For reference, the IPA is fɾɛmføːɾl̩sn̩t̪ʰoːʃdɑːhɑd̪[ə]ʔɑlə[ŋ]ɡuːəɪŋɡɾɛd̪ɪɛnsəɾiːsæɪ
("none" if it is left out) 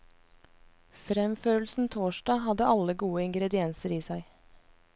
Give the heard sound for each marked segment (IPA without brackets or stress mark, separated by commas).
ə, none